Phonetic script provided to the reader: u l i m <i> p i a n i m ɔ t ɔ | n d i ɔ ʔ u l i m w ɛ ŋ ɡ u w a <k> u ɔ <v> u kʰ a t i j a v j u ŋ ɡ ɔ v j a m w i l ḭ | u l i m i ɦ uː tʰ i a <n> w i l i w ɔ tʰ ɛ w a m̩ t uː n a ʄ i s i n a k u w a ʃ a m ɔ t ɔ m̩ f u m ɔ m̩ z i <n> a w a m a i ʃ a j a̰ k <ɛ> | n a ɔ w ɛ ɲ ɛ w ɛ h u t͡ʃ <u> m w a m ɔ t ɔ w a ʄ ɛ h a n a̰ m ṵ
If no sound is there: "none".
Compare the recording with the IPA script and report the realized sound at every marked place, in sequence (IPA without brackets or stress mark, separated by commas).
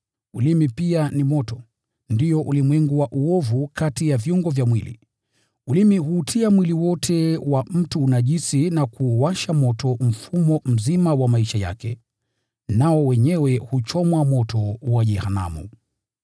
i, ʔ, v, m, m, ɛ, ɔ